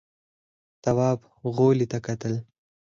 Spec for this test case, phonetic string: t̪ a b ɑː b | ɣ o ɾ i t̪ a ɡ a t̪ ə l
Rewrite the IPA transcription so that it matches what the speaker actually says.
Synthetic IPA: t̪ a w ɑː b | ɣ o l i t̪ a k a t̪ ə l